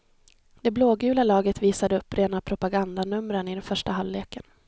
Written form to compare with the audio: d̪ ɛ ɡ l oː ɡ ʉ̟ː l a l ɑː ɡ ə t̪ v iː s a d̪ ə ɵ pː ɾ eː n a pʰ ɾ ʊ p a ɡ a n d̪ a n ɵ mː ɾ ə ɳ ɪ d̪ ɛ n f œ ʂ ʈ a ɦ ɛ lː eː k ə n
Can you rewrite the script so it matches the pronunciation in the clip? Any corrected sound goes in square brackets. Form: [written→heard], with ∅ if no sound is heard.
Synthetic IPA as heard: d̪ ɛ [ɡ→b] l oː ɡ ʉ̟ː l a l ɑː ɡ ə t̪ v iː s a d̪ ə ɵ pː ɾ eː n a pʰ ɾ ʊ p a ɡ a n d̪ a n ɵ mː ɾ ə [ɳ→n] ɪ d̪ ɛ n f œ ʂ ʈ a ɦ [ɛ→a] lː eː k ə n